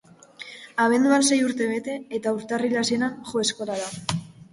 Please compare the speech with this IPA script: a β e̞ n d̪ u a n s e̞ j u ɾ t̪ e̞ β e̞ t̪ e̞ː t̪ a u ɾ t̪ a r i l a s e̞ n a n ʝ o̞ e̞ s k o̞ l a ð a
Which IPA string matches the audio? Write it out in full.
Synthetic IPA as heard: a β e̞ n d̪ u a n s e̞ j u ɾ t̪ e̞ β e̞ t̪ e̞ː t̪ a u ɾ t̪ a r i l a s e̞ n a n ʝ o̞ e̞ s k o̞ l a ð a